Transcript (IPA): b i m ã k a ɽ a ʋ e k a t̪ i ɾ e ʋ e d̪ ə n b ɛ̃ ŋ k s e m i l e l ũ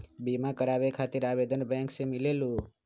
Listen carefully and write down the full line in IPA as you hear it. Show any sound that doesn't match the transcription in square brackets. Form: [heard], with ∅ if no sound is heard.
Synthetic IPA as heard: b i m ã k [ə] ɽ a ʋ e [kʰ] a t̪ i ɾ [a] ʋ e d̪ ə n b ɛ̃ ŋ k s e m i l e l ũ